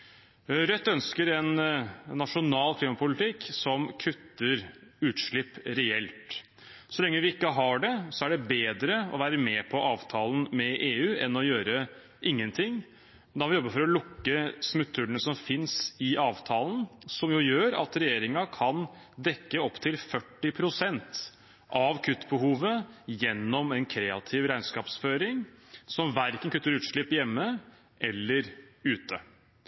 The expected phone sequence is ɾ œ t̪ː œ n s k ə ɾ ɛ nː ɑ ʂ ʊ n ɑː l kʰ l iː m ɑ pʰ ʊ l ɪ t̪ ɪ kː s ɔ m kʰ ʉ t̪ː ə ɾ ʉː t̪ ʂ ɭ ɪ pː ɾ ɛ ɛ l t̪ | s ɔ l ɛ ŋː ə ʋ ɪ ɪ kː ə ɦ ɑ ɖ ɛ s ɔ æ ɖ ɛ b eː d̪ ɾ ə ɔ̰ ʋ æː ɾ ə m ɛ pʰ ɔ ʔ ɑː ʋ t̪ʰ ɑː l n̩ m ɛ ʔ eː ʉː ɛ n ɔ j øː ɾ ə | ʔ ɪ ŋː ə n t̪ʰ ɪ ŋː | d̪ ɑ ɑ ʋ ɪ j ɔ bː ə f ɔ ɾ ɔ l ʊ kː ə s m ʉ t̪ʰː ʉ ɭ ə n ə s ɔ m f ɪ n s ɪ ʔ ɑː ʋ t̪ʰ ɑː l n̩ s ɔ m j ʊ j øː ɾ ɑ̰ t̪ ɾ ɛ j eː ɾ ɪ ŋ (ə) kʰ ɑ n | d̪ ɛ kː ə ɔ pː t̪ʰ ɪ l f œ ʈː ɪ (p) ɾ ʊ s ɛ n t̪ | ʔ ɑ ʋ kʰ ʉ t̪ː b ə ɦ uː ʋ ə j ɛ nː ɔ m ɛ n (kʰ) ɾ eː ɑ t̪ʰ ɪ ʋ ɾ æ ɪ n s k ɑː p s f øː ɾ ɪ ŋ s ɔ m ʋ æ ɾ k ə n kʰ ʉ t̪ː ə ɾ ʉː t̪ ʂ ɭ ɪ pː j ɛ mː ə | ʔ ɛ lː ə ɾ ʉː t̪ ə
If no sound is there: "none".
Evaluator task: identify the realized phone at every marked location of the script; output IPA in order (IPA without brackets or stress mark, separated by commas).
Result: ɑ, pʰ, kʰ